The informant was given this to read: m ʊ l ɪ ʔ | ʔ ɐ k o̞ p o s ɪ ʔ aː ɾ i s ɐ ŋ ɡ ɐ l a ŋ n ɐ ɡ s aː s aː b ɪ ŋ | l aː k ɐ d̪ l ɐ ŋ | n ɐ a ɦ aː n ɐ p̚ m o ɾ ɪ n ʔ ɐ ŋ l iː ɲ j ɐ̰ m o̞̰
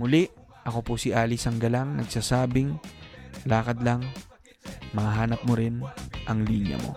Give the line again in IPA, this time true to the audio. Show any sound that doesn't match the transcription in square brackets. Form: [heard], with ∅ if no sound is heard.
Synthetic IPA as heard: m ʊ l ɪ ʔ | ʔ ɐ k o̞ p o s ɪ ʔ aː [l] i s ɐ ŋ ɡ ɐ l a ŋ n ɐ ɡ s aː s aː b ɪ ŋ | l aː k ɐ d̪ l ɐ ŋ | [m] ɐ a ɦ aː n ɐ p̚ m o ɾ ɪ n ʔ ɐ ŋ l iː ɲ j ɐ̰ m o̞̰